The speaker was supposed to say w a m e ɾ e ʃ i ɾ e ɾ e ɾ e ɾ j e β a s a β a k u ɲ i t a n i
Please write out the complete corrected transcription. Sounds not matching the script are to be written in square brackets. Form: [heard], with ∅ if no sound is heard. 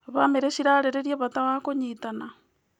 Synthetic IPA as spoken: [β] a m e ɾ e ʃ i ɾ [a] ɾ e ɾ e ɾ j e β a [t] a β a k [o] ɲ i t a n [a]